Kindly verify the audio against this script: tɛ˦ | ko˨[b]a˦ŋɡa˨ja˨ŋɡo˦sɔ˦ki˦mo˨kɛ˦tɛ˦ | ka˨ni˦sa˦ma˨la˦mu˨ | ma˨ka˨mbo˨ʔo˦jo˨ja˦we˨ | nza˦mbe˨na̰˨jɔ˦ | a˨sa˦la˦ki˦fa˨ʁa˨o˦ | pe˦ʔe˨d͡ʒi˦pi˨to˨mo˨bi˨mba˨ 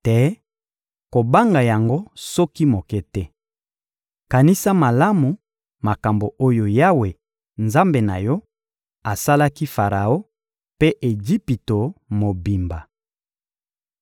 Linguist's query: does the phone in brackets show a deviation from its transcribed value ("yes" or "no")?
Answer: no